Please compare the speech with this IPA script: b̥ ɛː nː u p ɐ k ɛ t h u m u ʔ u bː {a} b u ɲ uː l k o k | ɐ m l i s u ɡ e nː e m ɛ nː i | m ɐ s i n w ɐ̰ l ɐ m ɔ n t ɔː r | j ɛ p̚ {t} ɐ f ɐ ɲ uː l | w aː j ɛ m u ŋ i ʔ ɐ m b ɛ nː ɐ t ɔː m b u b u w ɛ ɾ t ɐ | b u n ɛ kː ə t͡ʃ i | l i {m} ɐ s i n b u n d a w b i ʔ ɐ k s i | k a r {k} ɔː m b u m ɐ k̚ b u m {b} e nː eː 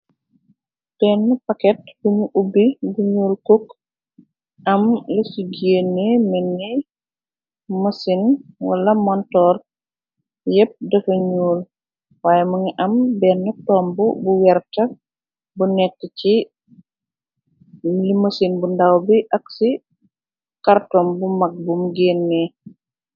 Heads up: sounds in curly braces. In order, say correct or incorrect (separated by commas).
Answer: incorrect, incorrect, correct, incorrect, incorrect